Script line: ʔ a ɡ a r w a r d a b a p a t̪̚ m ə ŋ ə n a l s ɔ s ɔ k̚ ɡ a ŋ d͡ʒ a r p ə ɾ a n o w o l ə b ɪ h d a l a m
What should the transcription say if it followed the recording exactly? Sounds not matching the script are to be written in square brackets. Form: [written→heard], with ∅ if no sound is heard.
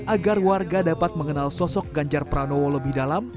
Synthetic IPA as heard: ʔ a ɡ a r w a r [d→ɡ] a [b→d] a p a t̪̚ m ə ŋ ə n a l s ɔ s ɔ k̚ ɡ a [ŋ→ɲ] d͡ʒ a r p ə ɾ a n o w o l ə b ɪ h d a l a m